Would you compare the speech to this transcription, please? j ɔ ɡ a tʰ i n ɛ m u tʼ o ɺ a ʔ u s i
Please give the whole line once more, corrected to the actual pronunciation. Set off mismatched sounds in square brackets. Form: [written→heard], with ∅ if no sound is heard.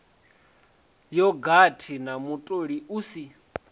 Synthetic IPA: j ɔ ɡ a tʰ i n [ɛ→a] m u tʼ o ɺ [a→i] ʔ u s i